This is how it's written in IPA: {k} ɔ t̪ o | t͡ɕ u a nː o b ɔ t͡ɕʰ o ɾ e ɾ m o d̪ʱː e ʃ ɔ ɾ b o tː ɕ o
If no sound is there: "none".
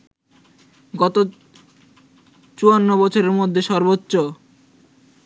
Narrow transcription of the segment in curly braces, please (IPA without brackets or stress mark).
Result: ɡ